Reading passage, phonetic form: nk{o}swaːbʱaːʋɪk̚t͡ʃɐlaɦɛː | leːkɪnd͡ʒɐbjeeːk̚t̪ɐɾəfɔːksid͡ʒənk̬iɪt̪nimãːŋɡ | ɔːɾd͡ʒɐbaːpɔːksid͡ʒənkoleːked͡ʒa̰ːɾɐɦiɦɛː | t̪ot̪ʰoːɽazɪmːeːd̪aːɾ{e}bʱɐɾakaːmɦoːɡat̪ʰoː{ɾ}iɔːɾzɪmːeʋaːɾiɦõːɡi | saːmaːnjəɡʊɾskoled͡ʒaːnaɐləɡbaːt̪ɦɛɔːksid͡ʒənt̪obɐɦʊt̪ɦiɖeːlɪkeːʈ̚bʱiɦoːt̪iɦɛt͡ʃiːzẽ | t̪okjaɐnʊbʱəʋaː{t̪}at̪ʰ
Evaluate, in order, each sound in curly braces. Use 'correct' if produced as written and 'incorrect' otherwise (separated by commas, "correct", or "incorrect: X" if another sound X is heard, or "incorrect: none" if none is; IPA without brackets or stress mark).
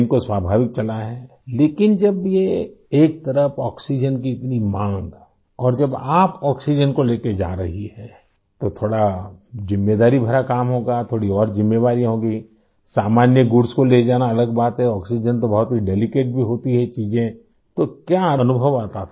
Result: correct, incorrect: i, incorrect: ɽ, correct